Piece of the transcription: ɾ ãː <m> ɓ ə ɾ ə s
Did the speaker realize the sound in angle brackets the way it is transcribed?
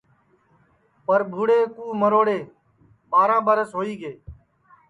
no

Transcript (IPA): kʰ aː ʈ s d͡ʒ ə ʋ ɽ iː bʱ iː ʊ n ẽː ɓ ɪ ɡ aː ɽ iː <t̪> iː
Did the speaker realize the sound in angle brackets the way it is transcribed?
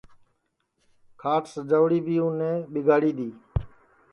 no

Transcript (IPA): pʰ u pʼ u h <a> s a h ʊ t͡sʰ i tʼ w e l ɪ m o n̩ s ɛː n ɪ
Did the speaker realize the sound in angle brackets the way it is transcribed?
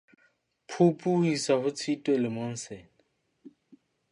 no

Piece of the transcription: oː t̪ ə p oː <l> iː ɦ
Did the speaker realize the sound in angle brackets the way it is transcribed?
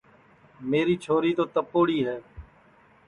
no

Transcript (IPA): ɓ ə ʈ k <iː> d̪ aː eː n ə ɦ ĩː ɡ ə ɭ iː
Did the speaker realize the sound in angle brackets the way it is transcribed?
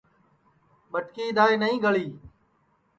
yes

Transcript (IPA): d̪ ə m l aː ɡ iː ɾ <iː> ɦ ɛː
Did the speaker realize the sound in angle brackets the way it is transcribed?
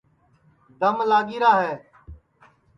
no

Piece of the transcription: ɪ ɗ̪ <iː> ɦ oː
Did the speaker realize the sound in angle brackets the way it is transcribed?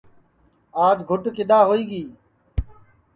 no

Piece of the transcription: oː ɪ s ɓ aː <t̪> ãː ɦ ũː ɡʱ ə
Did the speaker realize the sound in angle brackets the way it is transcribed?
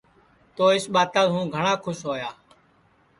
yes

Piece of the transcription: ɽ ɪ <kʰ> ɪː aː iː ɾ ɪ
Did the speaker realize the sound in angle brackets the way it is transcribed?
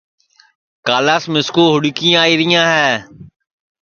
no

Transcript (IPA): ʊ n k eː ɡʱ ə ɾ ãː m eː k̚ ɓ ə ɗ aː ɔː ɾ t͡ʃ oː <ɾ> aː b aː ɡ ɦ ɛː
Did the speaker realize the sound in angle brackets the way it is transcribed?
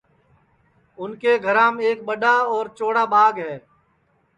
no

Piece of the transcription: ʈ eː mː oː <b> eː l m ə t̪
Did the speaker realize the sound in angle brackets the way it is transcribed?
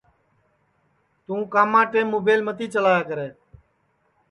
yes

